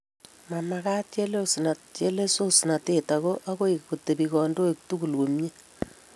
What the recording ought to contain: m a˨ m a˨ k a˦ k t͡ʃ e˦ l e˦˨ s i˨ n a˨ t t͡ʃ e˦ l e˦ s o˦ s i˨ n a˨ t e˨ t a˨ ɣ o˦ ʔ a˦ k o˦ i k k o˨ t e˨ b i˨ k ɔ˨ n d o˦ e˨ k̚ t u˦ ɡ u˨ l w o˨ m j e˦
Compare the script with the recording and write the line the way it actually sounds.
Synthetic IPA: m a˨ m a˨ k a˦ t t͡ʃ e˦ l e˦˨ s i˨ n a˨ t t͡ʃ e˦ l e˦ s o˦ s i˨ n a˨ t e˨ t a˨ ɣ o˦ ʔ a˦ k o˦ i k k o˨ t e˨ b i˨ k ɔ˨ n d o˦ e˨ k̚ t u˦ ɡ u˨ l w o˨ m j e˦